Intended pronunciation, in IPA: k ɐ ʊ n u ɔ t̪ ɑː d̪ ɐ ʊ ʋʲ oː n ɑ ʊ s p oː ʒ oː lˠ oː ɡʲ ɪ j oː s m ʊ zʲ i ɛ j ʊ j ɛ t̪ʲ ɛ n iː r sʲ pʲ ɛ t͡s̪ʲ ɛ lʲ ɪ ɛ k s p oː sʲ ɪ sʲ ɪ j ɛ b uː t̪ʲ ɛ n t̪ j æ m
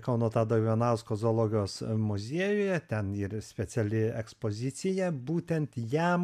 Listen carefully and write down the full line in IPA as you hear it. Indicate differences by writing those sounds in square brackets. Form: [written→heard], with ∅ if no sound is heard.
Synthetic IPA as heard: k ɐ ʊ n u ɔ t̪ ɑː d̪ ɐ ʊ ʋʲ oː n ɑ ʊ s [p→k] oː [ʒ→z] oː lˠ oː ɡʲ ɪ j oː s m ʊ zʲ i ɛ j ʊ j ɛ t̪ʲ ɛ n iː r sʲ pʲ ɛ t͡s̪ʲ ɛ lʲ ɪ ɛ k s p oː [sʲ→zʲ] ɪ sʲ ɪ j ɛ b uː t̪ʲ ɛ n t̪ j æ m